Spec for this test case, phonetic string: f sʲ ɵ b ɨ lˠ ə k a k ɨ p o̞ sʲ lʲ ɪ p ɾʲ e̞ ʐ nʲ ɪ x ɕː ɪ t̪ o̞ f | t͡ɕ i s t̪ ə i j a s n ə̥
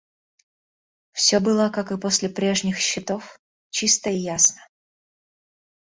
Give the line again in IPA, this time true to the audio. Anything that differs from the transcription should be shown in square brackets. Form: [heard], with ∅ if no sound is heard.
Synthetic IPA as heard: f sʲ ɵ b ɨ lˠ ə k a k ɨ p o̞ sʲ lʲ ɪ p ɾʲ e̞ ʐ nʲ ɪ x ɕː ɪ t̪ o̞ f | t͡ɕ i s t̪ ə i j a s n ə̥